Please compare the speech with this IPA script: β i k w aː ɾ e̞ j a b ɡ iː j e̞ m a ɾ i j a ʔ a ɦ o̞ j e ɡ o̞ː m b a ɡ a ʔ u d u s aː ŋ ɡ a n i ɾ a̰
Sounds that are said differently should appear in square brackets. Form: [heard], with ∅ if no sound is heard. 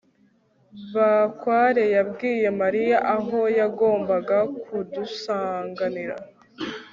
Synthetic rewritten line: β [a] k w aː ɾ e̞ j a b ɡ iː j e̞ m a ɾ i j a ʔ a ɦ o̞ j [a] ɡ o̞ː m b a ɡ a [k] u d u s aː ŋ ɡ a n i ɾ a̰